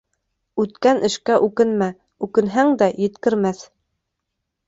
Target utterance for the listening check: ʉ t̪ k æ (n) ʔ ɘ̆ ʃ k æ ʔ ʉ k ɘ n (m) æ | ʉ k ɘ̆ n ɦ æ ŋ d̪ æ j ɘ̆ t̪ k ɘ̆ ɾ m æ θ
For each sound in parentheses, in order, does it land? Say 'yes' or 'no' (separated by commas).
yes, yes